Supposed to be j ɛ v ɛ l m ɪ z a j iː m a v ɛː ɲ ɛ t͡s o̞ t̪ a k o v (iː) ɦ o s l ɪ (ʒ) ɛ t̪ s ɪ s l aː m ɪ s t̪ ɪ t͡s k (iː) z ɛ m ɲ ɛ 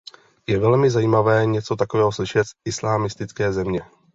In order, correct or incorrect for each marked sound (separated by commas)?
incorrect, incorrect, incorrect